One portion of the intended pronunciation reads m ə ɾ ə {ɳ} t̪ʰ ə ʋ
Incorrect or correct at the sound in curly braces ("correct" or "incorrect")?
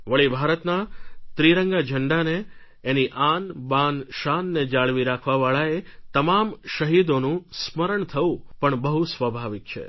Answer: correct